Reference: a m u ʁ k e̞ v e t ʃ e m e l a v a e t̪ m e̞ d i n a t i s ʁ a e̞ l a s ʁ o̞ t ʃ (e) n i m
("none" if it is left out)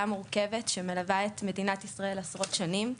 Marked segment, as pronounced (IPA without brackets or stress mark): a